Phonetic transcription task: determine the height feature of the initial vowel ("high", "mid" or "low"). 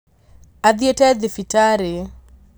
low